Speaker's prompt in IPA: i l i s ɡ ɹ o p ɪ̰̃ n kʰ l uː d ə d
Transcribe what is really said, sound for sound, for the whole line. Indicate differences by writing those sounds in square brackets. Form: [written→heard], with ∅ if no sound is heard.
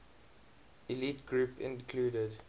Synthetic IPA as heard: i l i [s→t] ɡ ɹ [o→u] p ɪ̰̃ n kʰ l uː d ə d